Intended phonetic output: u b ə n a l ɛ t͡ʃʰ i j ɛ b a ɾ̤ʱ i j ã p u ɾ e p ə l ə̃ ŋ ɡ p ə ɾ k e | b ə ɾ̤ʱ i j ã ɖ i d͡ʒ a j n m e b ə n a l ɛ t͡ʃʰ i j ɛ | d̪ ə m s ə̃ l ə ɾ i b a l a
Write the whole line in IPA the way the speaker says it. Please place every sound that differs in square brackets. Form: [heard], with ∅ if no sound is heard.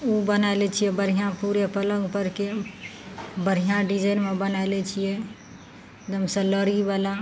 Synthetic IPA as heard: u b ə n a l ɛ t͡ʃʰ i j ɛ b [ə] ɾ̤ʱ i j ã p u ɾ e p ə l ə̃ ŋ ɡ p ə ɾ k e | b ə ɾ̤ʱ i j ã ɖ i d͡ʒ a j n m e b ə n a l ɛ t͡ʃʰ i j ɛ | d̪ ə m s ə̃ l ə ɾ i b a l a

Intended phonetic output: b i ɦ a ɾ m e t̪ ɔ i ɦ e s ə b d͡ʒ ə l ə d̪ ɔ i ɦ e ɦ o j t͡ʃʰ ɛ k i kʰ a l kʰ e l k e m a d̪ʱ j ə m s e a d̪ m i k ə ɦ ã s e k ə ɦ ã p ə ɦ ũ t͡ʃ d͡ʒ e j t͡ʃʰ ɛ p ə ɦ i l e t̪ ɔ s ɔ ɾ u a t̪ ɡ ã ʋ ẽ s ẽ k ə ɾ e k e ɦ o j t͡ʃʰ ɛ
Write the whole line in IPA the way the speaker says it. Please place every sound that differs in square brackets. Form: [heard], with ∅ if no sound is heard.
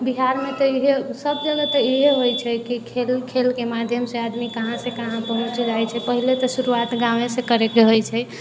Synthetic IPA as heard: b i ɦ a ɾ m e t̪ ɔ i ɦ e s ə b d͡ʒ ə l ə [t̪] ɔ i ɦ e ɦ o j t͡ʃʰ ɛ k i kʰ [e] l kʰ e l k e m a d̪ʱ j ə m s e a d̪ m i k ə ɦ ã s e k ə ɦ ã p ə ɦ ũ t͡ʃ d͡ʒ [a] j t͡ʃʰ ɛ p ə ɦ i l e t̪ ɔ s [u] ɾ u a t̪ ɡ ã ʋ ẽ s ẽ k ə ɾ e k e ɦ o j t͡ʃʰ ɛ

